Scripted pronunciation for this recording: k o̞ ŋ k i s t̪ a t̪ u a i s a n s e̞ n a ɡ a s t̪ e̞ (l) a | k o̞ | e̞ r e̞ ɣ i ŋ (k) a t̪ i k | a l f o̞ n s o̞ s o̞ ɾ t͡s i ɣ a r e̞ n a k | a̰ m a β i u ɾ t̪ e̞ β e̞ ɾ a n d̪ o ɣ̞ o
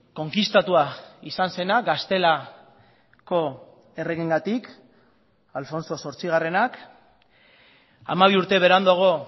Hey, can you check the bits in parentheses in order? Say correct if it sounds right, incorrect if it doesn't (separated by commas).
correct, incorrect